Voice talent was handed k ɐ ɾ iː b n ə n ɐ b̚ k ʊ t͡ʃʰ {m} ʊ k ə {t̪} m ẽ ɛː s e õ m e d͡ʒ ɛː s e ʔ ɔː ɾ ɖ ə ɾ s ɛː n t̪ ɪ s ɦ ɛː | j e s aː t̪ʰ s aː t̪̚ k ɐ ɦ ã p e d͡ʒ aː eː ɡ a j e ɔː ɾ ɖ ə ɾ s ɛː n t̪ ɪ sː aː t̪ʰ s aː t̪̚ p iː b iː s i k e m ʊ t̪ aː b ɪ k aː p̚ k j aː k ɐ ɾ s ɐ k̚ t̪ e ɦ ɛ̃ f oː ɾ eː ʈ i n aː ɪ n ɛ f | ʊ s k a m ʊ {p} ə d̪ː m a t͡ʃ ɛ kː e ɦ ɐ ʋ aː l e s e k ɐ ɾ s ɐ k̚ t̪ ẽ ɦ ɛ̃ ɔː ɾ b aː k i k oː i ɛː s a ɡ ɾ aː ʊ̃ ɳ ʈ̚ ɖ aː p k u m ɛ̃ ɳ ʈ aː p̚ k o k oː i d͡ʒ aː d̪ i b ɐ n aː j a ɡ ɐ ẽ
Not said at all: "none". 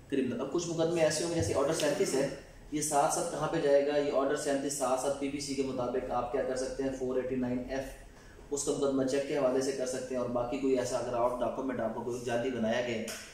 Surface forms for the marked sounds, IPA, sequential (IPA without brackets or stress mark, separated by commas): m, d̪, k